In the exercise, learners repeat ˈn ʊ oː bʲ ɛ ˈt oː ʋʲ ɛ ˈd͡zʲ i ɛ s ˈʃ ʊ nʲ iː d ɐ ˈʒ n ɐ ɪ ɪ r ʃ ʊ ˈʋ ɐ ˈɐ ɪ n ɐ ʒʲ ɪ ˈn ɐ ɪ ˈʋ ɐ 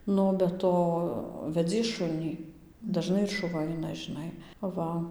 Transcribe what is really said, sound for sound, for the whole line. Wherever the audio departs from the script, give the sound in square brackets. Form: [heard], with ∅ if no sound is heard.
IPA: ˈn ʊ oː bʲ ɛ ˈt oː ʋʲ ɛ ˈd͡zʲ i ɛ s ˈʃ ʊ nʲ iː d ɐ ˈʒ n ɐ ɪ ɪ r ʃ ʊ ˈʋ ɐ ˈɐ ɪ n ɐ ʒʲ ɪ ˈn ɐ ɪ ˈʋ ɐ